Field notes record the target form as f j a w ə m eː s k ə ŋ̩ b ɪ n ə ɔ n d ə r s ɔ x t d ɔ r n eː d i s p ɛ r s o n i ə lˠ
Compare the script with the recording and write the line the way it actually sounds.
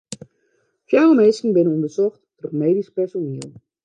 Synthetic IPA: f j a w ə m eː s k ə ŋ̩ b ɪ n ə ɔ n d ə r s ɔ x t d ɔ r m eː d i s p ɛ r s o n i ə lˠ